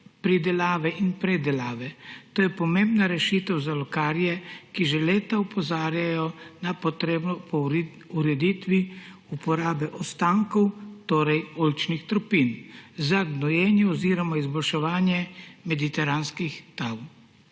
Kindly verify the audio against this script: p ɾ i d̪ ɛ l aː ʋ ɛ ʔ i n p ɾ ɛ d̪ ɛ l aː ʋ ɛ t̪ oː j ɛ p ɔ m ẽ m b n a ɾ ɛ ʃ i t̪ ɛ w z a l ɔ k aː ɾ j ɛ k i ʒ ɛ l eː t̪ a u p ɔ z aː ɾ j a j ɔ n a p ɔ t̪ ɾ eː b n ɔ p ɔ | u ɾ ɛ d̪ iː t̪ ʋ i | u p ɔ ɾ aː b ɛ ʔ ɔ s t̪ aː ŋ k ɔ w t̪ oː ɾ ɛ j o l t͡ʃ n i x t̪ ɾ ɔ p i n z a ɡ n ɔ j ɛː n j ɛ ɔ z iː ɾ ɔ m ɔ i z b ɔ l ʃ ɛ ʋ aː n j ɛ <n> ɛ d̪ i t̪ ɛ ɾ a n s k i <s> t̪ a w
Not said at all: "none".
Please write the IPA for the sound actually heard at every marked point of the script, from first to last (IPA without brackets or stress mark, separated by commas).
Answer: m, x